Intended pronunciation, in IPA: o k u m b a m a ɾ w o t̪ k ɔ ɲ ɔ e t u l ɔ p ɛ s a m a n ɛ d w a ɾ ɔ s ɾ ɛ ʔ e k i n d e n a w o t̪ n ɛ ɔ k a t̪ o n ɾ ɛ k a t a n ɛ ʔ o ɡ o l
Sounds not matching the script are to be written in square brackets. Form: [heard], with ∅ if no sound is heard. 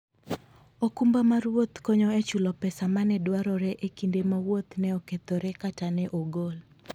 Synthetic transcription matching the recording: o k u m b a m a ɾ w o t̪ k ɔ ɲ ɔ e [t͡ʃ] u l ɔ p ɛ s a m a n ɛ d w a ɾ ɔ [∅] ɾ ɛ ʔ e k i n d e [m] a w o t̪ n ɛ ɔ k [e] t̪ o [∅] ɾ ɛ k a t a n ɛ ʔ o ɡ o l